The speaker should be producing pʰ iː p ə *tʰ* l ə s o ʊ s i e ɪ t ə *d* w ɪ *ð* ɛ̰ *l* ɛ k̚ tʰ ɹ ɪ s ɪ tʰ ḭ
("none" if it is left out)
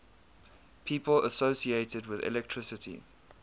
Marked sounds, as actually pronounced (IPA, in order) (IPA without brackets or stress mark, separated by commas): none, d, ð, l